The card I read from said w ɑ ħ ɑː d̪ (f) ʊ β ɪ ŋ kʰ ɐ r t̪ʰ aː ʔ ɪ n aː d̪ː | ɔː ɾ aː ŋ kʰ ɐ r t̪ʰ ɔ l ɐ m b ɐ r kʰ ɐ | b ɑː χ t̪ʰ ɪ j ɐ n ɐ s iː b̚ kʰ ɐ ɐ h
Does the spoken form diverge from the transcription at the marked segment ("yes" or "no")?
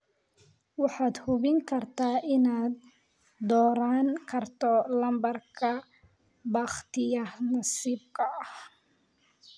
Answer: yes